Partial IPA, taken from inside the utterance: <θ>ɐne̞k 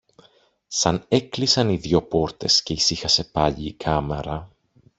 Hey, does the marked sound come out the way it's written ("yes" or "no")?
no